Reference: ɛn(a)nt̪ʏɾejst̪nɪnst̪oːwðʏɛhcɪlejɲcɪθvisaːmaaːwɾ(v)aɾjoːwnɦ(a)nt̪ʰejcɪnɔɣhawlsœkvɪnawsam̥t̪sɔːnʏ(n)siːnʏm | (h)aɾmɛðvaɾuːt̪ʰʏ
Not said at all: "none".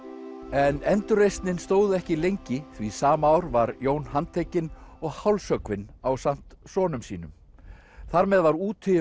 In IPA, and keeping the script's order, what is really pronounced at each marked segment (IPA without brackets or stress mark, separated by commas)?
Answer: ɛ, v, a, m, θ